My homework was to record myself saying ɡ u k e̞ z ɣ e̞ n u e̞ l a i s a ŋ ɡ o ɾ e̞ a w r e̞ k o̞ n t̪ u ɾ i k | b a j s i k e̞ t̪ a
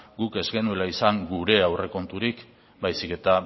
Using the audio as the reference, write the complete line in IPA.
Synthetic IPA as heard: ɡ u k e̞ z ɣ e̞ n u e̞ l a i s a ŋ ɡ u ɾ e̞ a w r e̞ k o̞ n t̪ u ɾ i k | b a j s i k e̞ t̪ a